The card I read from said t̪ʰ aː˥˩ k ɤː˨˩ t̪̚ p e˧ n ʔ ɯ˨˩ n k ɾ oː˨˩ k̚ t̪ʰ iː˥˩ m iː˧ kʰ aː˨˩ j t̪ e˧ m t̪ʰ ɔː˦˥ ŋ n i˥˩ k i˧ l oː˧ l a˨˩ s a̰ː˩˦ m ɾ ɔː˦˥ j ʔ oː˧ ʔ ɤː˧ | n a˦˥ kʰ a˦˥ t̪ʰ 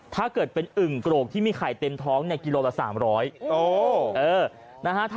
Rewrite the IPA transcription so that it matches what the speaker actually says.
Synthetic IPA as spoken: t̪ʰ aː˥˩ k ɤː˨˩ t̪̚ p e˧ n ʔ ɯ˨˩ ŋ k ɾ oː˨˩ k̚ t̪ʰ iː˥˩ m iː˧ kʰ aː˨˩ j t̪ e˧ m t̪ʰ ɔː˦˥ ŋ n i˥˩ k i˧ l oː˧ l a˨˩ s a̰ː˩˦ m ɾ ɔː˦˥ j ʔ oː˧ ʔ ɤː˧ | n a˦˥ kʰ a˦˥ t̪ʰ